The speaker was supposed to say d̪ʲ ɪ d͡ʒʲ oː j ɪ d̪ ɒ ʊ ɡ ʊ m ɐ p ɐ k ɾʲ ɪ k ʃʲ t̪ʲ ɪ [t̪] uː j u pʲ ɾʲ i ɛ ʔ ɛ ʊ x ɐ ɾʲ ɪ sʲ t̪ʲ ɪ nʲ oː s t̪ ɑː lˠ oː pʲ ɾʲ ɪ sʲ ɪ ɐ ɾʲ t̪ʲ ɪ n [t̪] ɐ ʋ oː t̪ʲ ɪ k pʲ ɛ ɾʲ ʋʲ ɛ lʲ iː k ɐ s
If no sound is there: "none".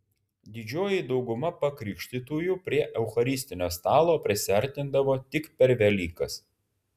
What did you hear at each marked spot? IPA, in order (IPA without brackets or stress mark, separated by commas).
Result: t̪, d̪